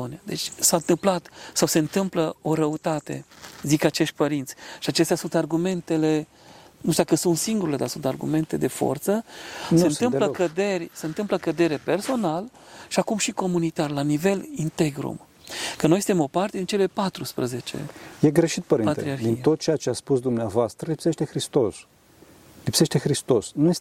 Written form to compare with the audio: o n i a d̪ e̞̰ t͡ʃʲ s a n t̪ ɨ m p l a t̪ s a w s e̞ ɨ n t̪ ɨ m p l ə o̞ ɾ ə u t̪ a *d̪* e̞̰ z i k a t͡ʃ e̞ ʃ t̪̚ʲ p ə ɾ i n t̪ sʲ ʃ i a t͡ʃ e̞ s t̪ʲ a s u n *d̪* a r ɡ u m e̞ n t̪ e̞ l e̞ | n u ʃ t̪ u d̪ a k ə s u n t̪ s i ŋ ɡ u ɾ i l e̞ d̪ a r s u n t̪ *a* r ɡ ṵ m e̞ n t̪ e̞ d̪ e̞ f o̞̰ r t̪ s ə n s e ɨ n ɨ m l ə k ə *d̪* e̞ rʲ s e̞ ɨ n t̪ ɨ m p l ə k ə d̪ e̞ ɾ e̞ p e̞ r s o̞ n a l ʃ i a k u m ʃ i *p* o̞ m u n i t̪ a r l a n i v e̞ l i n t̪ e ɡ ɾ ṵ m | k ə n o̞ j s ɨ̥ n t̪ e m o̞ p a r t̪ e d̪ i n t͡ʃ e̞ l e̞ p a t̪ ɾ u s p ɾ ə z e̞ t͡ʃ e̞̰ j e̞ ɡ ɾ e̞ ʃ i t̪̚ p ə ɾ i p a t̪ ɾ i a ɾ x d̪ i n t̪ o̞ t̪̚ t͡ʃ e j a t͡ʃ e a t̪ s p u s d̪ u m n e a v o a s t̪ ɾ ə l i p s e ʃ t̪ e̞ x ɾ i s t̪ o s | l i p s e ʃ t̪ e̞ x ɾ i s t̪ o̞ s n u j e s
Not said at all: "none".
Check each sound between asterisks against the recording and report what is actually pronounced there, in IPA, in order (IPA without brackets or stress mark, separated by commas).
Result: t̪, t̪, a, d̪, k